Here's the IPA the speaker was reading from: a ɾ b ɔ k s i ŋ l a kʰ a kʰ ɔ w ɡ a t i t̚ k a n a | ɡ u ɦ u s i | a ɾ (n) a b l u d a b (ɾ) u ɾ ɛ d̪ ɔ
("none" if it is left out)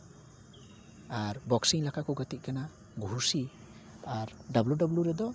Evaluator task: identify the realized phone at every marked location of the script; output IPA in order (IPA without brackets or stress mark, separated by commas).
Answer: d, l